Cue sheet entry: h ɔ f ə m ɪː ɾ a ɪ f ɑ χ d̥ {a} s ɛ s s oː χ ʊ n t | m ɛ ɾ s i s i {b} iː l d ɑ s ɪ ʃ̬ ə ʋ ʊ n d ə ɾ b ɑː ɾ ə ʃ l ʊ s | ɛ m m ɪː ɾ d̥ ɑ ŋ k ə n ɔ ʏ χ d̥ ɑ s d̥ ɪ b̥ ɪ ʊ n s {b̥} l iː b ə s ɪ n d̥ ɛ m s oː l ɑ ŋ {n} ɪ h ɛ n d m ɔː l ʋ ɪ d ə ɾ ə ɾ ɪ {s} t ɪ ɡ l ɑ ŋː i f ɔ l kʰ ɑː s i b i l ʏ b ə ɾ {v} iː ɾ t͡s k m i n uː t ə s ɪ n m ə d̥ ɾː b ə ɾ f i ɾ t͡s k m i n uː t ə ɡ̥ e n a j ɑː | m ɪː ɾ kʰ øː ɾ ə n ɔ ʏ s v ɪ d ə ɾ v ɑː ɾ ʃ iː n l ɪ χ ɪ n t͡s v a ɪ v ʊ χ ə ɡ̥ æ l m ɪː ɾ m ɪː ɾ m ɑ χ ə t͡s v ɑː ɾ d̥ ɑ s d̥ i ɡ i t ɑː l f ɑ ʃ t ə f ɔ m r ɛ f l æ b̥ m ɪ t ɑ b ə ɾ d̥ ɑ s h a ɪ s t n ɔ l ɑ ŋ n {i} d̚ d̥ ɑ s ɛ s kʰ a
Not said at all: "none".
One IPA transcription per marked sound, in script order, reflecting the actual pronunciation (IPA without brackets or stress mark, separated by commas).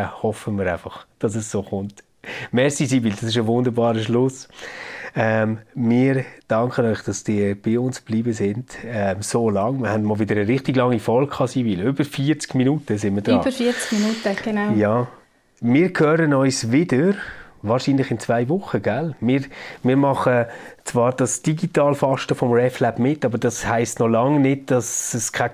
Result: ɑ, b, b̥, m, χ, f, ɪ